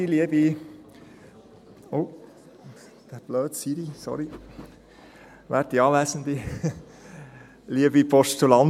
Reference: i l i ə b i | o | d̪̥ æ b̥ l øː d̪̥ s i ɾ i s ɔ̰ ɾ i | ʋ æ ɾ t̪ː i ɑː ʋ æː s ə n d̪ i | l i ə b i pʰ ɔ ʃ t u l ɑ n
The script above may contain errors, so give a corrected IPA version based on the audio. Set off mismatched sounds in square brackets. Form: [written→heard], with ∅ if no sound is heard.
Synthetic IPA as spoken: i l i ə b i | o | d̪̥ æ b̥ l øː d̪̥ s i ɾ i s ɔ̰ ɾ i | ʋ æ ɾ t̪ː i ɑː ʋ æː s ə n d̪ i | l i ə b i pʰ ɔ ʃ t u l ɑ n